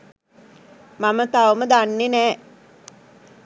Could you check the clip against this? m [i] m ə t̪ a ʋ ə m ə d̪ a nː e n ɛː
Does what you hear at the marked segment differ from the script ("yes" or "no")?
yes